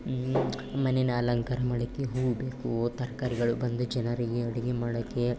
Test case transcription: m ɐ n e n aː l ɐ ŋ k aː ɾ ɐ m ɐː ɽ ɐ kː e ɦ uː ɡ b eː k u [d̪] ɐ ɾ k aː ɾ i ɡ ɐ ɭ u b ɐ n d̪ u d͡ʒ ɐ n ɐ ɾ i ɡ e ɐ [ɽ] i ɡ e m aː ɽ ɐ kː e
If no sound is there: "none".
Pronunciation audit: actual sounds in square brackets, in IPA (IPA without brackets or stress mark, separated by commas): t̪, ɽ